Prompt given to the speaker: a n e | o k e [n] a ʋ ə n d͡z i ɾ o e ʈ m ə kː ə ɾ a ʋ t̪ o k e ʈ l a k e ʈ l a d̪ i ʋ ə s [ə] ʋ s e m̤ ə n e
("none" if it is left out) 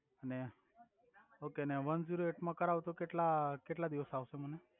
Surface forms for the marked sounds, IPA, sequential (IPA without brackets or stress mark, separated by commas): n, a